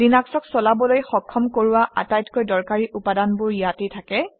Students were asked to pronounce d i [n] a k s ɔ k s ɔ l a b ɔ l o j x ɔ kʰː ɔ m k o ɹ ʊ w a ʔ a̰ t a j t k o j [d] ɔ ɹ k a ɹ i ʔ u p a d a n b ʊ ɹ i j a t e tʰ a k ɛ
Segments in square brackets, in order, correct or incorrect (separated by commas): correct, correct